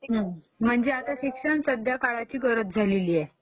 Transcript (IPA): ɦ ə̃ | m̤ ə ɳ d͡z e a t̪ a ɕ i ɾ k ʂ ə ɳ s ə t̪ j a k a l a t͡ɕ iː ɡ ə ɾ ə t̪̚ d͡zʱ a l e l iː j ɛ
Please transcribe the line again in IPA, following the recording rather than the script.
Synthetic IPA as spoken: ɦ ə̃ | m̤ ə ɳ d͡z e a t̪ a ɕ i k ʂ ə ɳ s ə d̪ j a k a ɭ a t͡ɕ iː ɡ ə ɾ ə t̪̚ d͡zʱ a l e l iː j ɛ